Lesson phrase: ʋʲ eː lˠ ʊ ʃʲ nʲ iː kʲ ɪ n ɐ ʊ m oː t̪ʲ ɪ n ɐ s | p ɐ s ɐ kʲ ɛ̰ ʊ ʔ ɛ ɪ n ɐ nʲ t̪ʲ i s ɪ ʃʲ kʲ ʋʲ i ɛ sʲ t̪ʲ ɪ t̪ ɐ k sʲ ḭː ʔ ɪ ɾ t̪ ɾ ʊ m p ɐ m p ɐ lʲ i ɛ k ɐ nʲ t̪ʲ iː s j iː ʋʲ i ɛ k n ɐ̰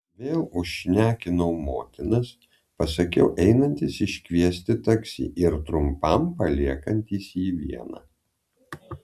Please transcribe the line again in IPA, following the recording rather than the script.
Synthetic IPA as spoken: ʋʲ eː lˠ ʊ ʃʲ nʲ æː kʲ ɪ n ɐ ʊ m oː t̪ʲ ɪ n ɐ s | p ɐ s ɐ kʲ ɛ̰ ʊ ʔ ɛ ɪ n ɐ nʲ t̪ʲ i s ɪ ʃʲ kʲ ʋʲ i ɛ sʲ t̪ʲ ɪ t̪ ɐ k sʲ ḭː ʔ ɪ ɾ t̪ ɾ ʊ m p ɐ m p ɐ lʲ i ɛ k ɐ nʲ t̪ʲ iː s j iː ʋʲ i ɛ n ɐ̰